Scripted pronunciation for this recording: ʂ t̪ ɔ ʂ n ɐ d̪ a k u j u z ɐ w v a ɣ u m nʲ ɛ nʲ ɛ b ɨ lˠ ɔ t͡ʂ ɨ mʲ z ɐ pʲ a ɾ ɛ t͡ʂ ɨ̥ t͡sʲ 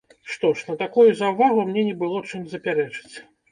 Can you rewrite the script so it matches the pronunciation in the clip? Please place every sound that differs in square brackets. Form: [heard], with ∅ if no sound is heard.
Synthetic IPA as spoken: ʂ t̪ ɔ ʂ n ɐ [t̪] a k u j u z ɐ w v a ɣ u m nʲ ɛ nʲ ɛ b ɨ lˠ ɔ t͡ʂ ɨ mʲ z ɐ pʲ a ɾ ɛ t͡ʂ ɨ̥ t͡sʲ